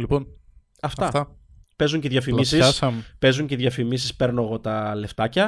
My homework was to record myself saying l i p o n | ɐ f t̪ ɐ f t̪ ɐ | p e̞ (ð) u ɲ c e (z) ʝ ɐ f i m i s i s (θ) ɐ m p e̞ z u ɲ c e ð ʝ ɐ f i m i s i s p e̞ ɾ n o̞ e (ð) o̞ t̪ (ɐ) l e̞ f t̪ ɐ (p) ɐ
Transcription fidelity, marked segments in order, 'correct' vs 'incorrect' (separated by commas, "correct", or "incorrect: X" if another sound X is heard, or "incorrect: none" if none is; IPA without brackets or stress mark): incorrect: z, incorrect: ð, incorrect: s, incorrect: ɣ, correct, incorrect: c